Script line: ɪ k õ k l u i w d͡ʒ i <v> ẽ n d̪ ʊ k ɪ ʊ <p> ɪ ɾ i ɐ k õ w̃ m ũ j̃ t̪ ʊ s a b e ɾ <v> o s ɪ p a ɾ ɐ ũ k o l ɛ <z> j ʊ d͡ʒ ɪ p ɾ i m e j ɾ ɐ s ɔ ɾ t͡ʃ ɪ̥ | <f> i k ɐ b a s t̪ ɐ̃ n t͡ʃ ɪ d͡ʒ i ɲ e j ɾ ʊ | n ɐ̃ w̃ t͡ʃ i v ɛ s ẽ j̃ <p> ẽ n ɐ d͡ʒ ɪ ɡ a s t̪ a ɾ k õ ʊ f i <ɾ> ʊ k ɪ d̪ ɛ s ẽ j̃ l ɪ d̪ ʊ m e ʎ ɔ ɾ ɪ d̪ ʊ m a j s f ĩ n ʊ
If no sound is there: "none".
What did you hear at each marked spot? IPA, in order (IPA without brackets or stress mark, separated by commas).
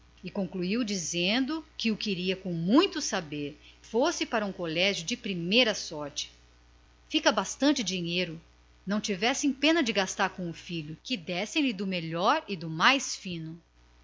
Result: z, k, f, ʒ, f, p, ʎ